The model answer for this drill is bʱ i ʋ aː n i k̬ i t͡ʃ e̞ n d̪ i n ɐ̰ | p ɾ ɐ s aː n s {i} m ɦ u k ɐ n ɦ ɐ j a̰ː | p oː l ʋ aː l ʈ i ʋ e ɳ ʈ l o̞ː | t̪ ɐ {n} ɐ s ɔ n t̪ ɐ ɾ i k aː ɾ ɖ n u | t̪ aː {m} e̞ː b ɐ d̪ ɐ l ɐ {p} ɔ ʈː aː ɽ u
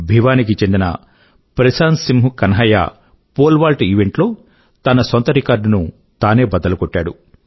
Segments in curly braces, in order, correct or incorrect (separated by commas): correct, correct, incorrect, incorrect